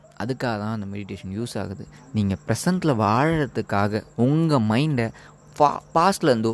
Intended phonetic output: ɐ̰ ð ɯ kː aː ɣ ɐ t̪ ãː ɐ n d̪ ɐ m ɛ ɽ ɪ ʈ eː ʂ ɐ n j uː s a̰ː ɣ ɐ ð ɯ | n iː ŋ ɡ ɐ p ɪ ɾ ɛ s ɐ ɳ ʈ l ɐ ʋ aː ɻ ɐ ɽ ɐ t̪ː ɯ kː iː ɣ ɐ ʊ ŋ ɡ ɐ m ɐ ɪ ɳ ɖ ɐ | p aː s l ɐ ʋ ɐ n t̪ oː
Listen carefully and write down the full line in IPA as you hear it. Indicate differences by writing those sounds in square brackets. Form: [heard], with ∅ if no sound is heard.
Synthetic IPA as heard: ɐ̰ ð ɯ kː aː ɣ ɐ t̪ ãː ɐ n d̪ ɐ m ɛ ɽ ɪ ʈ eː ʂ ɐ n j uː s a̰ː ɣ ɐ ð ɯ | n iː ŋ ɡ ɐ p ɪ ɾ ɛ s ɐ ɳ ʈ l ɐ ʋ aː ɻ ɐ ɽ ɐ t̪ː ɯ kː [aː] ɣ ɐ ʊ ŋ ɡ ɐ m ɐ ɪ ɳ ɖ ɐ | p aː s l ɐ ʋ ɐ n [d̪] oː